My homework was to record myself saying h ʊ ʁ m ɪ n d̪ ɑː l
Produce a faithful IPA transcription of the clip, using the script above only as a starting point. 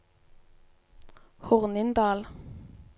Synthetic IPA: h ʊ ʁ n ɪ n d̪ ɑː l